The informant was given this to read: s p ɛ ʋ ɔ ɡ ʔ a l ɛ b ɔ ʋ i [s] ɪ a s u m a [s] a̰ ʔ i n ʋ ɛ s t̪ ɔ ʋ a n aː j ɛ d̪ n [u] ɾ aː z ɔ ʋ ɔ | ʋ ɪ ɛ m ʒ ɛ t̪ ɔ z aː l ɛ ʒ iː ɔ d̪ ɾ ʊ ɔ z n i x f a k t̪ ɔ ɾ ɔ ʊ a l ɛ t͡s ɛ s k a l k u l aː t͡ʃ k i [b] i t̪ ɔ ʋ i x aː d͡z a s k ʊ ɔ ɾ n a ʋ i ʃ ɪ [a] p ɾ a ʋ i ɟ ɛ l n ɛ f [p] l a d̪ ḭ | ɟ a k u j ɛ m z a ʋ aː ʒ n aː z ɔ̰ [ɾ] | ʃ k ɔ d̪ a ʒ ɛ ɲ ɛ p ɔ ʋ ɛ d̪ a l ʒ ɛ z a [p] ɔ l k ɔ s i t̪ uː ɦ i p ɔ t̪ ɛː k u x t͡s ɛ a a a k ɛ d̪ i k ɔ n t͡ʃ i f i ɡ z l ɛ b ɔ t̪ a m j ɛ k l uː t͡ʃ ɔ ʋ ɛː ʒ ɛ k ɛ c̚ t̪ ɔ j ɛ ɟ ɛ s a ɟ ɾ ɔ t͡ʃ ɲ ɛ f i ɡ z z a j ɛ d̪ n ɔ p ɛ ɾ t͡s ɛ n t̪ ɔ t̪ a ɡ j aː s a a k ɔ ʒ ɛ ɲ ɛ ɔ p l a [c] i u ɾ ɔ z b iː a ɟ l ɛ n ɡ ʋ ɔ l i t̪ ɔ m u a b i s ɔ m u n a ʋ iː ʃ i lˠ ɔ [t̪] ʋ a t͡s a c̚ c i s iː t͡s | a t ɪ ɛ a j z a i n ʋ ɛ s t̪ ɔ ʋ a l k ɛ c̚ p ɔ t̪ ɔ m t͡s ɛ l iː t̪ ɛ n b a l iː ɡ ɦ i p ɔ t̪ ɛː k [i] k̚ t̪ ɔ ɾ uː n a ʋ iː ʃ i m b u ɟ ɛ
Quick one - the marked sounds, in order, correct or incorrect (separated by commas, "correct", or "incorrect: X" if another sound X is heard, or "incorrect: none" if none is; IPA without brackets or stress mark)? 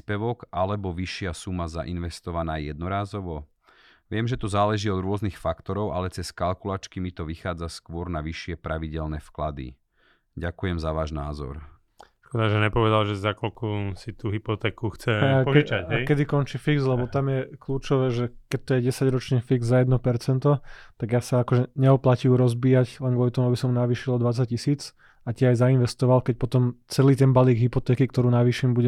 incorrect: ʃ, incorrect: z, incorrect: ɔ, incorrect: m, incorrect: ɛ, incorrect: k, correct, incorrect: k, correct, incorrect: d̪, correct